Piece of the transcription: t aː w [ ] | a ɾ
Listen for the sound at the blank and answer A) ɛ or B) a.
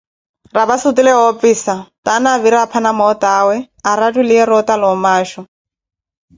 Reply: A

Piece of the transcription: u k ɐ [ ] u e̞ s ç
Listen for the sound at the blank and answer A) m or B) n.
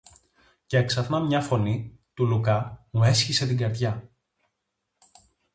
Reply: A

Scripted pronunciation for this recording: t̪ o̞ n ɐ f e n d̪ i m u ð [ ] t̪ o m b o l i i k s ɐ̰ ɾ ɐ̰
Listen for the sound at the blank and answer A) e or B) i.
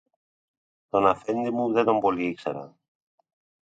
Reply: A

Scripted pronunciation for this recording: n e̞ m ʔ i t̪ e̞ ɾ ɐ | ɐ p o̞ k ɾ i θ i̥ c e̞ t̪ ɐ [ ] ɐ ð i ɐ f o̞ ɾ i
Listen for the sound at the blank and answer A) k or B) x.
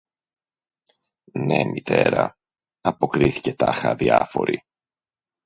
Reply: B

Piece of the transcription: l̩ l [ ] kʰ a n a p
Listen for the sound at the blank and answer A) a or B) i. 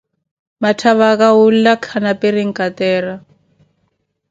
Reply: A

